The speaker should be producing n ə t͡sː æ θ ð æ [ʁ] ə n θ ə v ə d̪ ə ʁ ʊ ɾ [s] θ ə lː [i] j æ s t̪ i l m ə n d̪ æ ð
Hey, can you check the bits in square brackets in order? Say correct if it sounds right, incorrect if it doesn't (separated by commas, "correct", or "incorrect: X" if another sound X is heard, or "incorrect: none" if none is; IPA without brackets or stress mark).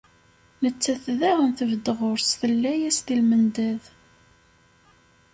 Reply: correct, correct, incorrect: æ